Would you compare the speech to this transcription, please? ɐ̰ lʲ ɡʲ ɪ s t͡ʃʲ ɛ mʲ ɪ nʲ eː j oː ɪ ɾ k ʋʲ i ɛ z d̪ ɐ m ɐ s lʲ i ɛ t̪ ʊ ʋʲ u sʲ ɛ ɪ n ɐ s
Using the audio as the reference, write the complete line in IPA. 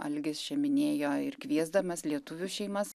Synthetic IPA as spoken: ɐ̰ lʲ ɡʲ ɪ s t͡ʃʲ ɛ mʲ ɪ nʲ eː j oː ɪ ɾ k ʋʲ i ɛ z d̪ ɐ m ɐ s lʲ i ɛ t̪ ʊ ʋʲ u ʃʲ ɛ ɪ m ɐ s